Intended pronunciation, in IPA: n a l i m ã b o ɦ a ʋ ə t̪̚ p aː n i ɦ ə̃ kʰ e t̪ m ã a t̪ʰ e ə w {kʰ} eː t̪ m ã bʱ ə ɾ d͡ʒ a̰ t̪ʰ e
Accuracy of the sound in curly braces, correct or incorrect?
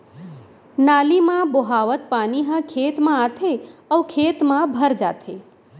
correct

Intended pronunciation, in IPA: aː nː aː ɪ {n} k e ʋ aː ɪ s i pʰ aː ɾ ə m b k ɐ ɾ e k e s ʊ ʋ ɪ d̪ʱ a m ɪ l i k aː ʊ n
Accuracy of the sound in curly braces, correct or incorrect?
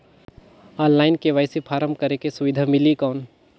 correct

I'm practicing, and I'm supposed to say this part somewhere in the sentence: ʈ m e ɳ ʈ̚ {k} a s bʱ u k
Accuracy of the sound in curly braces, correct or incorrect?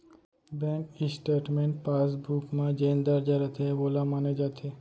incorrect: p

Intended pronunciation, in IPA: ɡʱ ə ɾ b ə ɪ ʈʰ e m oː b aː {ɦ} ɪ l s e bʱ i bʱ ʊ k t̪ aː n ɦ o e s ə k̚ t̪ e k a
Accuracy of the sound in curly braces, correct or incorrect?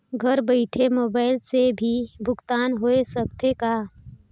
incorrect: none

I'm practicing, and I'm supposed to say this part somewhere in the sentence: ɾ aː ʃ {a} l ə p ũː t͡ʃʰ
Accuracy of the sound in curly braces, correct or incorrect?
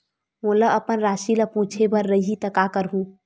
incorrect: i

